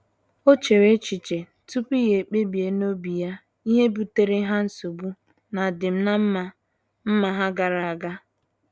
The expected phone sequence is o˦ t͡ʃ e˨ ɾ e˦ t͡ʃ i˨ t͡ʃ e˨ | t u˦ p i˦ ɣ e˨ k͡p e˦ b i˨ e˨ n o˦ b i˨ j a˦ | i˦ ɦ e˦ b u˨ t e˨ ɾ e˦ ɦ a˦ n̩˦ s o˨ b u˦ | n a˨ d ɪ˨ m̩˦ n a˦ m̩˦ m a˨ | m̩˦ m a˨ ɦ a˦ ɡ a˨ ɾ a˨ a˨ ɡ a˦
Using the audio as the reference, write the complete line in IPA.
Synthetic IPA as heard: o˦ t͡ʃ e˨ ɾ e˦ t͡ʃ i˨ t͡ʃ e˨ | t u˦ p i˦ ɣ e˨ k͡p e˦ b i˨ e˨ n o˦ b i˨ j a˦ | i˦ ɦ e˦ b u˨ t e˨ ɾ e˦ ɦ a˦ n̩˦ s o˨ b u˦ | n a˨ d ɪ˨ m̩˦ n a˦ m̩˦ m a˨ | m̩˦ m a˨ ɦ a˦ ɡ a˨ ɾ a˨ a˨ ɡ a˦